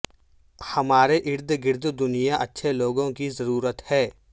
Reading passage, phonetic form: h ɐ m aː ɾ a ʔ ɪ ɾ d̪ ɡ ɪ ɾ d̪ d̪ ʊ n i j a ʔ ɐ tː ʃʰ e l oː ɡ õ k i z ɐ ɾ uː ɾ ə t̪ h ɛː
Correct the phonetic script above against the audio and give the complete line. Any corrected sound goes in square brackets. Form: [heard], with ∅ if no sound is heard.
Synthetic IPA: h ɐ m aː ɾ [e] ʔ ɪ ɾ d̪ ɡ ɪ ɾ d̪ d̪ ʊ n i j a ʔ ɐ tː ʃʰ e l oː ɡ õ k i z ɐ ɾ uː ɾ ə t̪ h ɛː